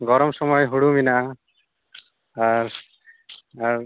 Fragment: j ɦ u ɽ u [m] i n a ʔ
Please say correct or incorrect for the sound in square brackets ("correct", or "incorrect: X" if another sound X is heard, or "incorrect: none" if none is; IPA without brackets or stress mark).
correct